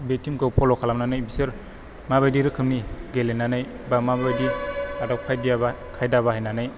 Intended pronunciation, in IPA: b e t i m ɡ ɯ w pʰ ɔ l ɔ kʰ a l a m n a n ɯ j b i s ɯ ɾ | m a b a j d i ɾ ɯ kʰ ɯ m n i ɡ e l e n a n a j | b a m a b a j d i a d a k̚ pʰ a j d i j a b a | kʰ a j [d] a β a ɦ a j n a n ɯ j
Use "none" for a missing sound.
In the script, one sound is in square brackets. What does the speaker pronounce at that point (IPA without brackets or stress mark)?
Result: d